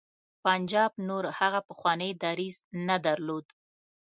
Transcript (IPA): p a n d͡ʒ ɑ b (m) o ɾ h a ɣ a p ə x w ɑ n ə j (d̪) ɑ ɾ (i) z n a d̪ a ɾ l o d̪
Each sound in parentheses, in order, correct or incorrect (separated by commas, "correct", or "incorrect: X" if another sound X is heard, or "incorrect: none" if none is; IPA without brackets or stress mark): incorrect: n, correct, correct